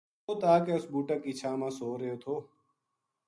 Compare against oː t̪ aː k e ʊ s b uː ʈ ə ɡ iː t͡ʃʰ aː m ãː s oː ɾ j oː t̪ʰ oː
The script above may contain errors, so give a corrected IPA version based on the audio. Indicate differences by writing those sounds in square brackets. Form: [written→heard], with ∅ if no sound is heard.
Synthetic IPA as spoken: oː t̪ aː k e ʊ s b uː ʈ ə [ɡ→k] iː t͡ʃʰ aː m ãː s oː ɾ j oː t̪ʰ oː